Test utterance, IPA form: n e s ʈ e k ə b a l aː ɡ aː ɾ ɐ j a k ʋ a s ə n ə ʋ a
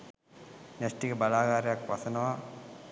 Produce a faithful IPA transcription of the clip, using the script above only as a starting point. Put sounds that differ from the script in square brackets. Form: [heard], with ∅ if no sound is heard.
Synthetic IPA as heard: n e s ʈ [i] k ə b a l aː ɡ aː ɾ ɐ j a k ʋ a s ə n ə ʋ a